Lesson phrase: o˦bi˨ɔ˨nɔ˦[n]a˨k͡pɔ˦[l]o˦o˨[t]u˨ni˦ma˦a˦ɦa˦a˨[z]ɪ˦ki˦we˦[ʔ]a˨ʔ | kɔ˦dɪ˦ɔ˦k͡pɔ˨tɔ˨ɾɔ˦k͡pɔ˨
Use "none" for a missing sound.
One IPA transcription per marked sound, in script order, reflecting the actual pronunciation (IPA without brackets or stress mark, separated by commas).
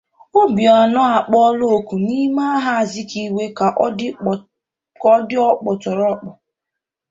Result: none, l, k, z, k